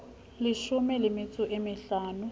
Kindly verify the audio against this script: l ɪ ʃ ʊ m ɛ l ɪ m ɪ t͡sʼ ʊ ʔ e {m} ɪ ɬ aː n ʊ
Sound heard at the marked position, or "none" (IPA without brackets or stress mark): m